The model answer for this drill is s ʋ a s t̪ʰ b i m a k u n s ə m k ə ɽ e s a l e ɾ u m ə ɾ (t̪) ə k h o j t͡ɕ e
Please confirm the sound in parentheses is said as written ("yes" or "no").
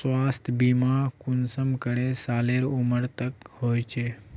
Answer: yes